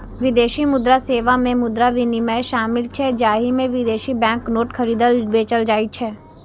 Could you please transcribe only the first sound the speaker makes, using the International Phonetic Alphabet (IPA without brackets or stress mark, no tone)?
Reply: ʋ